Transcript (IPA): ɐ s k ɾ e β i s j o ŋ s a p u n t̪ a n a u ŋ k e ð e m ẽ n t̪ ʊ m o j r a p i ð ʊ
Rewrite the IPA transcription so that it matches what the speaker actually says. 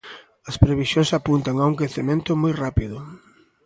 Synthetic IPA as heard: ɐ s p ɾ e β i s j o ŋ s a p u n t̪ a ŋ a u ŋ k e θ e m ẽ n t̪ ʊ m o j r a p i ð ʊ

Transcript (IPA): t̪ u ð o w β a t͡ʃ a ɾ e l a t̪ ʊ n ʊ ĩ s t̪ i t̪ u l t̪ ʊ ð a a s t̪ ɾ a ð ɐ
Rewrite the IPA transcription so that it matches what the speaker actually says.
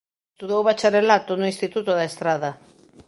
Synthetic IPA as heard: t̪ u ð o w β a t͡ʃ a ɾ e l a t̪ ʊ n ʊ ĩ s t̪ i t̪ u t̪ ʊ ð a e s t̪ ɾ a ð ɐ

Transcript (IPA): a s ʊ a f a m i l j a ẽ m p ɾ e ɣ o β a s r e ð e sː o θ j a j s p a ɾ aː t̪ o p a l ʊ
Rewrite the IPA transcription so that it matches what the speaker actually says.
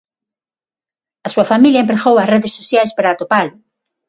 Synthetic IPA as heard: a s u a f a m i l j a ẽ m p ɾ e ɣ o w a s r e ð e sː o θ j a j s p a ɾ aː t̪ o p a l ʊ

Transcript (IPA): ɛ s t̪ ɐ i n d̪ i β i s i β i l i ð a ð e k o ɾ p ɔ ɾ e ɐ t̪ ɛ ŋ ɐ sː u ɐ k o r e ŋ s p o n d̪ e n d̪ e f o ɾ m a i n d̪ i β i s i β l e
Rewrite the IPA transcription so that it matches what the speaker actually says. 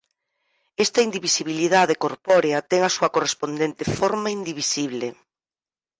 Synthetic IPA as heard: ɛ s t̪ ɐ i n d̪ i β i s i β i l i ð a ð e k o ɾ p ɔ ɾ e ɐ t̪ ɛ ŋ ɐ s u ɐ k o r e s p o n d̪ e n t̪ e f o ɾ m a i n d̪ i β i s i β l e

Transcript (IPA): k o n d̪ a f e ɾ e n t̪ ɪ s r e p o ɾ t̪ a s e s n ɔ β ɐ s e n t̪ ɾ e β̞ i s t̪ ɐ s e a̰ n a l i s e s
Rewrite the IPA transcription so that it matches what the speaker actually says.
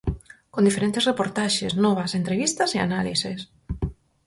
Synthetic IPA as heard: k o n d̪ i f e ɾ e n t̪ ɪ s r e p o ɾ t̪ a ʃ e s n ɔ β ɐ s e n t̪ ɾ e β̞ i s t̪ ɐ s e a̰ n a l i s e s

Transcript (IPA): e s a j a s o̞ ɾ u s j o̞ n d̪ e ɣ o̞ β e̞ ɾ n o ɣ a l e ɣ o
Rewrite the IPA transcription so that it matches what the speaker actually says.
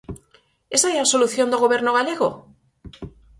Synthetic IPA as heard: e s a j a s o̞ l u θ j o̞ n d̪ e ɣ o̞ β e̞ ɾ n o ɣ a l e ɣ o

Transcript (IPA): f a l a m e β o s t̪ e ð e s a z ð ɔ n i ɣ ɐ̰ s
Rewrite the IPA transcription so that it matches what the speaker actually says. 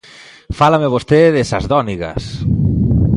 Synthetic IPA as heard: f a l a m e β o s t̪ e ð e s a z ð ɔ n i ɣ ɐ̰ s

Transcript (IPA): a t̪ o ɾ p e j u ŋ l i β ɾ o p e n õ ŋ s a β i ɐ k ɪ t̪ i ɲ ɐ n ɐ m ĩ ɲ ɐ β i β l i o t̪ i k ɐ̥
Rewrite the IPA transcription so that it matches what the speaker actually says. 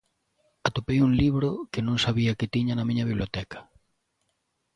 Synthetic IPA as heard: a t̪ o p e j u ŋ l i β ɾ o k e n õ ŋ s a β i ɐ k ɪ t̪ i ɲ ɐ n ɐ m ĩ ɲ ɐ β i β l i o t̪ ɛ k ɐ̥

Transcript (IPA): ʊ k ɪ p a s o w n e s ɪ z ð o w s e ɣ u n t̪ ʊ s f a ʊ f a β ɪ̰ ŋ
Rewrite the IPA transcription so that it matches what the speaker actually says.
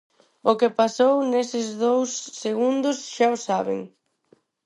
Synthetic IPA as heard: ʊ k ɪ p a s o w n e s ɪ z ð o w sː e ɣ u n d̪ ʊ s ʃ a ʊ s a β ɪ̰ ŋ

